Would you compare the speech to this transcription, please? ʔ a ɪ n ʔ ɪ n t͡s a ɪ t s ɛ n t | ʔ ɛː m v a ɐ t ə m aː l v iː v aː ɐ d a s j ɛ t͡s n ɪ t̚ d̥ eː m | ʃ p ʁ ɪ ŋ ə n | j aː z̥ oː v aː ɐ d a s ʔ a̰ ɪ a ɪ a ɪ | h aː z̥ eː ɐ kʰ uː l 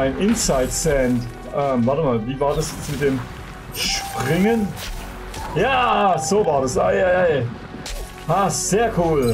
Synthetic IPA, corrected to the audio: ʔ a ɪ n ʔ ɪ n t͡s a ɪ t s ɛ n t | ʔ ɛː m v a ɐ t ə m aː l v iː v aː ɐ d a s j ɛ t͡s m ɪ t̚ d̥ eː m | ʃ p ʁ ɪ ŋ ə n | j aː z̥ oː v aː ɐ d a s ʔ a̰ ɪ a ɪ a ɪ | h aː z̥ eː ɐ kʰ uː l